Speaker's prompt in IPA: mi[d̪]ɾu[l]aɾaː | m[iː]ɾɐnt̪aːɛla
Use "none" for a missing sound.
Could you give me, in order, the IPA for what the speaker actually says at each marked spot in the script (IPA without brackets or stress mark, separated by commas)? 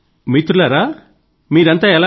t̪, l, iː